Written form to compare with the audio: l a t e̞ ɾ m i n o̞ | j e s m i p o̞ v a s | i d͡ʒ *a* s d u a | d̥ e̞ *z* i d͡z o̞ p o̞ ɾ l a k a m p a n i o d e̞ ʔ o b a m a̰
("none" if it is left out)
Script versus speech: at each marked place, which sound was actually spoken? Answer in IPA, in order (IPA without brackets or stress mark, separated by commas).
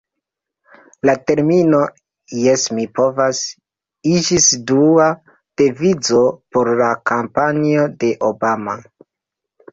i, v